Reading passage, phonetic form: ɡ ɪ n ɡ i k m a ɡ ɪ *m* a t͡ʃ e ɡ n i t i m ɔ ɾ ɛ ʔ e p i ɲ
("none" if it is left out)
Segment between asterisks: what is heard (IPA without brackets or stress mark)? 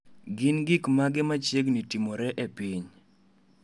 m